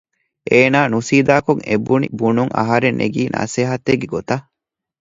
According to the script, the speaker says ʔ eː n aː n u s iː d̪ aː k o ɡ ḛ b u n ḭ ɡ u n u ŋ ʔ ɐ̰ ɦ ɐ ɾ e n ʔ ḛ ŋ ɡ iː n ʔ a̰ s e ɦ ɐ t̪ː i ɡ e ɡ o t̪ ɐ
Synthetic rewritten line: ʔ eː n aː n u s iː d̪ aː k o ŋ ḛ b u n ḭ b u n u ŋ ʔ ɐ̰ ɦ ɐ ɾ e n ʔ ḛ ɡ iː n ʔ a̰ s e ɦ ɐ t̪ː e ɡ e ɡ o t̪ ɐ